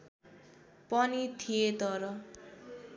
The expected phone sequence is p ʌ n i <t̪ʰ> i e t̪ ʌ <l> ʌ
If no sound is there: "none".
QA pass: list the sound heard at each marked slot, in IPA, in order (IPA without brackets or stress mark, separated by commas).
t̪ʰ, ɾ